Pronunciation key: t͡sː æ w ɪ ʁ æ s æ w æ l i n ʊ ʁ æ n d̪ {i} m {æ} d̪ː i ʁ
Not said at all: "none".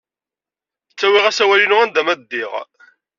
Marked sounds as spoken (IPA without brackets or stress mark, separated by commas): æ, æ